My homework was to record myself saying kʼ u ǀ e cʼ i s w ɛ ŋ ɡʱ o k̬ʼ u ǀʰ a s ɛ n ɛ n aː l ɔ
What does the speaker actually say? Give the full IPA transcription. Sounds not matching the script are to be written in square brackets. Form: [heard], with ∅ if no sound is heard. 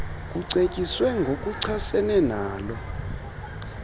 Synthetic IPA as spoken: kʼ u ǀ e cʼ i s w ɛ ŋ ɡʱ o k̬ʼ u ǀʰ a s ɛ n ɛ n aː l ɔ